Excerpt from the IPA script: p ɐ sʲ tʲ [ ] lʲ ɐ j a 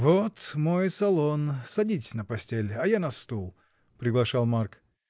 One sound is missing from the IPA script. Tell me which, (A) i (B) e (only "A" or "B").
B